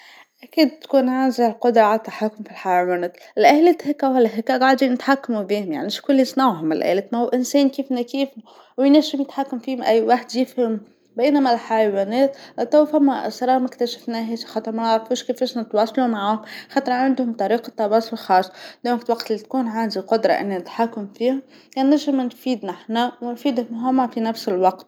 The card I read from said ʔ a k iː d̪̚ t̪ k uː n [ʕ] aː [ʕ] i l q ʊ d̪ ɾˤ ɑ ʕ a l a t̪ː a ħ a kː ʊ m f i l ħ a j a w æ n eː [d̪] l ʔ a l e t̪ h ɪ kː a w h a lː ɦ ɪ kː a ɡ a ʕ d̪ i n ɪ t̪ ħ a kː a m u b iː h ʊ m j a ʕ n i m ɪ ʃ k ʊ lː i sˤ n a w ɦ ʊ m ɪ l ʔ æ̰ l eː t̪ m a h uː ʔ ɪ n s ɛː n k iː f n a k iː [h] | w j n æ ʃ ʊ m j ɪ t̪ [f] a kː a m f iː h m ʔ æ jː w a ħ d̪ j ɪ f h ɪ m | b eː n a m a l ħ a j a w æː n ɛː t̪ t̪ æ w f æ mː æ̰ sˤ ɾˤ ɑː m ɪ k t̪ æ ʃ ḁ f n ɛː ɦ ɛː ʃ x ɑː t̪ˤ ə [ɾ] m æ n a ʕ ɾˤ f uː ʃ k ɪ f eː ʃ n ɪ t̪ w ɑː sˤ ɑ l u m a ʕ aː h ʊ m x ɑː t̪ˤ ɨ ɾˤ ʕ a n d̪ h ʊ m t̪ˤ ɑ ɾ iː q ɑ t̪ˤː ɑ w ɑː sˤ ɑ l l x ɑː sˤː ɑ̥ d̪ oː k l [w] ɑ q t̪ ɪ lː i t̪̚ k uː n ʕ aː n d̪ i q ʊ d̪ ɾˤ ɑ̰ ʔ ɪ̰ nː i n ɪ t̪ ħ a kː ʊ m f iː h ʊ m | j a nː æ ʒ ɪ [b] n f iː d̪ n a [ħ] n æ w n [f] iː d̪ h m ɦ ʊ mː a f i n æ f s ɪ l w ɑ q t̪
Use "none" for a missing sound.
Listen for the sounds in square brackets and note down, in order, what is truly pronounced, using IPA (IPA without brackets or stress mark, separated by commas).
ʕ, z, t̪, f, ħ, ɾ, w, m, ħ, f